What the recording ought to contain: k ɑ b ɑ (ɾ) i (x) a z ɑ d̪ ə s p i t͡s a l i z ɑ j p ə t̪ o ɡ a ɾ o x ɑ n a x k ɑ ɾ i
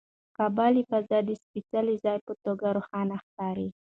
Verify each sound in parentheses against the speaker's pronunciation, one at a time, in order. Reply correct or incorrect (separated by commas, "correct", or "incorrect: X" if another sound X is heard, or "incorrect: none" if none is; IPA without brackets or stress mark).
incorrect: l, incorrect: f